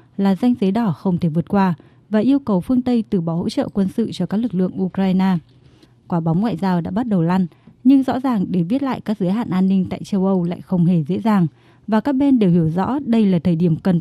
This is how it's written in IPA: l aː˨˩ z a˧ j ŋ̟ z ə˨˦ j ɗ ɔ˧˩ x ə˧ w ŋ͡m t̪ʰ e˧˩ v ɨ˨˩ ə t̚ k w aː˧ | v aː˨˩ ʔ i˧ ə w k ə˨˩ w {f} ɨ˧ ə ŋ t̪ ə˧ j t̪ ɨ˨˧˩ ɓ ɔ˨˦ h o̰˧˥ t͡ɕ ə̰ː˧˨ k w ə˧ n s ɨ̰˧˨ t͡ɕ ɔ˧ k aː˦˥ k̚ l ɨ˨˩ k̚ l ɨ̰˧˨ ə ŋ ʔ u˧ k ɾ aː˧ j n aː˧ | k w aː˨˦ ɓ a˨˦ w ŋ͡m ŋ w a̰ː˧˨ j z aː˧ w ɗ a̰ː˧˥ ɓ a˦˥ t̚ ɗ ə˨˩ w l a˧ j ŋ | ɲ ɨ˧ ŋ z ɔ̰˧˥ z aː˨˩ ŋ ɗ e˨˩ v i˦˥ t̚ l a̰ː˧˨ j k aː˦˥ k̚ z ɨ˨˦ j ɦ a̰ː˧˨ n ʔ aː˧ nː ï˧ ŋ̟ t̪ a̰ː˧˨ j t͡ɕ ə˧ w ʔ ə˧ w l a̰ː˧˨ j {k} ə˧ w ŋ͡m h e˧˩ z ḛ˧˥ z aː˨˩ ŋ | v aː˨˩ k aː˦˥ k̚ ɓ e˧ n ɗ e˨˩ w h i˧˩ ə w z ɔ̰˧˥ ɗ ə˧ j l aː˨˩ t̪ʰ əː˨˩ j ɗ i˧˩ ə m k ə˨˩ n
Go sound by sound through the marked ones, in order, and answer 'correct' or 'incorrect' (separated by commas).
correct, incorrect